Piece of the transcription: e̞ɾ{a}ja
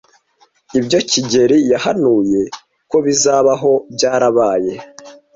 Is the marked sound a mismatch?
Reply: yes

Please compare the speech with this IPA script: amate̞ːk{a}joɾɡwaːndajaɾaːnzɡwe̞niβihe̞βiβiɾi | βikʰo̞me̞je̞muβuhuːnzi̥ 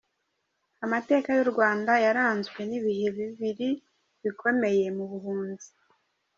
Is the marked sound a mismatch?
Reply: no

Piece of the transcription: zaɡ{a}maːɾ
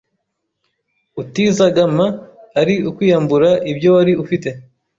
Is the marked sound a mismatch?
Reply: no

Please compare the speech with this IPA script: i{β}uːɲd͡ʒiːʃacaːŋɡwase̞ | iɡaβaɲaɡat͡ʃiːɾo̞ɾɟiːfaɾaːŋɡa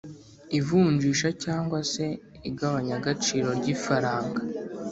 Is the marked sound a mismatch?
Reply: yes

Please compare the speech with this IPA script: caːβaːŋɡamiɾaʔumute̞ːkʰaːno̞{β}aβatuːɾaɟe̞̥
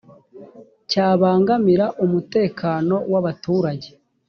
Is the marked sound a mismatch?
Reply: yes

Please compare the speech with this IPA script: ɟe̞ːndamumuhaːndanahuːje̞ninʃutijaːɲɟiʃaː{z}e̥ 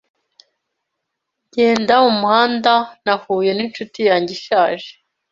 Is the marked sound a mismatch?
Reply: yes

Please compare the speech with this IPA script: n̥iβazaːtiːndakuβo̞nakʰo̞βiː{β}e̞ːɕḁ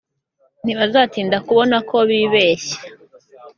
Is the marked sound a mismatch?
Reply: no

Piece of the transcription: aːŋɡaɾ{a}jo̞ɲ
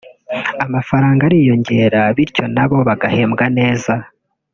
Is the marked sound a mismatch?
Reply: yes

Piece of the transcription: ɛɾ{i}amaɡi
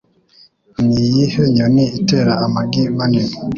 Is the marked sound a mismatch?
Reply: yes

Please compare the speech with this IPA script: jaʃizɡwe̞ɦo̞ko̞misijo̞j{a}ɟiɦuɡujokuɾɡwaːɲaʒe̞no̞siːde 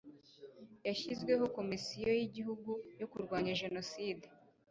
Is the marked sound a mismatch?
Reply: yes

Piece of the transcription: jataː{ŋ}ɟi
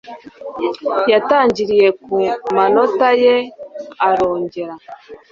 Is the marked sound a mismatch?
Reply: yes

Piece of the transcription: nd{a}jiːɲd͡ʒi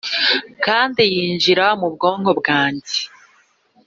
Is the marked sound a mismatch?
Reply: yes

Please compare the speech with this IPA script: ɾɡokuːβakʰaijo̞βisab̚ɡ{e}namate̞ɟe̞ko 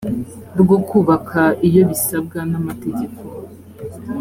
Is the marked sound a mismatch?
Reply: yes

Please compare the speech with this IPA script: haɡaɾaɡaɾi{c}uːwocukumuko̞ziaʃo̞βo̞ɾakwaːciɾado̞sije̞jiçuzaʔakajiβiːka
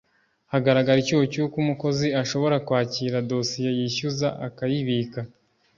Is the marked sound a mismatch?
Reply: no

